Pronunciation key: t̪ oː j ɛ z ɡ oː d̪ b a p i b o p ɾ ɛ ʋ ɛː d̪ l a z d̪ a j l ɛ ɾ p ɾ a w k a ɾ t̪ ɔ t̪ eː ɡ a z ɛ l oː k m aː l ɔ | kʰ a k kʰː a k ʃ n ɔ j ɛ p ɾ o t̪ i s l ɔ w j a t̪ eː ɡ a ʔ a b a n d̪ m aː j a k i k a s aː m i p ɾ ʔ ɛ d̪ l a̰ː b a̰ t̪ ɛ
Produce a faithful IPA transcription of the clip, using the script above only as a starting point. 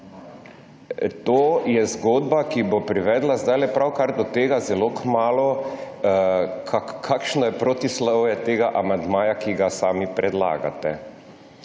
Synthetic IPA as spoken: t̪ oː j ɛ z ɡ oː d̪ b a k i b o p ɾ i ʋ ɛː d̪ l a z d̪ a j l ɛ p ɾ a w k a ɾ d̪ ɔ t̪ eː ɡ a z ɛ l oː k m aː l ɔ | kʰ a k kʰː a k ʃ n ɔ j ɛ p ɾ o t̪ i s l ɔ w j ɛ t̪ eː ɡ a ʔ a m a n d̪ m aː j a k i ɡ a s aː m i p ɾ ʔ ɛ d̪ l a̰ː ɡ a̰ t̪ ɛ